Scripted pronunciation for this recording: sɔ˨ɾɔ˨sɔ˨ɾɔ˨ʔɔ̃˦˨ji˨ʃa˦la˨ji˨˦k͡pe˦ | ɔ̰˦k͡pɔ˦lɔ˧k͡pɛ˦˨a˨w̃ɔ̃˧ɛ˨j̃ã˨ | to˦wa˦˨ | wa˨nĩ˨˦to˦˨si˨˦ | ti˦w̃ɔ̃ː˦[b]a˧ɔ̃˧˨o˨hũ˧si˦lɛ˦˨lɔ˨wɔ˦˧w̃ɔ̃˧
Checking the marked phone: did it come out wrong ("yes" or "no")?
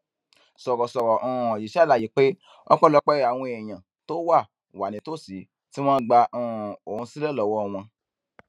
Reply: yes